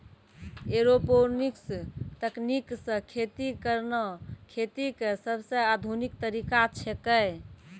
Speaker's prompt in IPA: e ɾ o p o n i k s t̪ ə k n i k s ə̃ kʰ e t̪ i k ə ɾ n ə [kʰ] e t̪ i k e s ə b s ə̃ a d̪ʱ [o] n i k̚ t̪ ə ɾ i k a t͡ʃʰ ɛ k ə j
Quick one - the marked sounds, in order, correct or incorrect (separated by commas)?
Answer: correct, incorrect